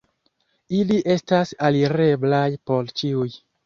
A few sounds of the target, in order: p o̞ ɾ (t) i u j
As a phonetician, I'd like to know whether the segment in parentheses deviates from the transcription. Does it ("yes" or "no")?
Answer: yes